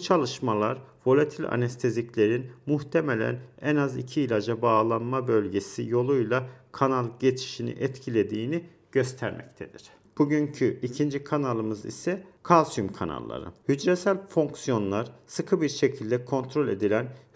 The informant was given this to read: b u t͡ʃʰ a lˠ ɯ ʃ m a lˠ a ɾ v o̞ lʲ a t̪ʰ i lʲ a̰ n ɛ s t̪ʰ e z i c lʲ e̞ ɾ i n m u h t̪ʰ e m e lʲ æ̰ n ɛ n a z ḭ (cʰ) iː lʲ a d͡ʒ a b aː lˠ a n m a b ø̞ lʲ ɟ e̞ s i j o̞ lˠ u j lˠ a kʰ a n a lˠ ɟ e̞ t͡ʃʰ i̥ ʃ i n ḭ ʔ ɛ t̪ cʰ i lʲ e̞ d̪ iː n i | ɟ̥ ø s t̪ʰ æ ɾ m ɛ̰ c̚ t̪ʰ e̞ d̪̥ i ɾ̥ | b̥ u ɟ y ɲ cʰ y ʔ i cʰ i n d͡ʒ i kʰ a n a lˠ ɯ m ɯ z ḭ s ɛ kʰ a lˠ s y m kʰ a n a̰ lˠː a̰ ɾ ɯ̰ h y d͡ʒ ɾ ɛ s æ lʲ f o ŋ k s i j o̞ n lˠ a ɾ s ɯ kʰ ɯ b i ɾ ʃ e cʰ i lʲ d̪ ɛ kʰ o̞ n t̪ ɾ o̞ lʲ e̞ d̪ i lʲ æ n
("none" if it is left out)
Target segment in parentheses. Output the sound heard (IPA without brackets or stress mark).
cʰ